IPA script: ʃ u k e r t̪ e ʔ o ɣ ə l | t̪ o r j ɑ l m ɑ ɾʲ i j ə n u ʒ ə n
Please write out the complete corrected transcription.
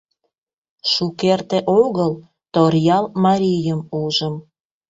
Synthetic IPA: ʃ u k e r t̪ e ʔ o ɣ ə l | t̪ o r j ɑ l m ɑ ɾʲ i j ə m u ʒ ə m